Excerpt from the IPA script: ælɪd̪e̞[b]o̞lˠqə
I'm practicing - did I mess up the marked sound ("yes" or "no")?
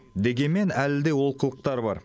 yes